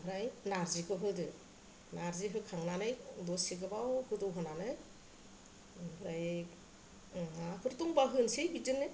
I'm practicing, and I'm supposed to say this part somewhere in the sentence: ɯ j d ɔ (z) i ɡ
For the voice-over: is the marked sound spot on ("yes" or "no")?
no